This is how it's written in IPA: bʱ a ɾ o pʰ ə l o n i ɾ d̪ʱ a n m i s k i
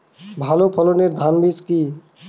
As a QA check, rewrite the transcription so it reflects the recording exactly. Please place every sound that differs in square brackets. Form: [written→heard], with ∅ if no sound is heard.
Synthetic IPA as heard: bʱ a [ɾ→l] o pʰ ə l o n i ɾ d̪ʱ a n [m→b] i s k i